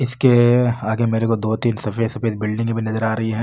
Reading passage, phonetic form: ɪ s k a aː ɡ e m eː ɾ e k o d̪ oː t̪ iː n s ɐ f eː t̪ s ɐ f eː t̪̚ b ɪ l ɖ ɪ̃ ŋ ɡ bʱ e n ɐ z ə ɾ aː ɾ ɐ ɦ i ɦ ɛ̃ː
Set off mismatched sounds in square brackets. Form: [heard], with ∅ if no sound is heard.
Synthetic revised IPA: ɪ s k [e] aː ɡ e m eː ɾ e k o d̪ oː t̪ iː n s ɐ f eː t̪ s ɐ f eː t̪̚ b ɪ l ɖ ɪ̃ ŋ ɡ bʱ [i] n ɐ z ə ɾ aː ɾ ɐ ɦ i ɦ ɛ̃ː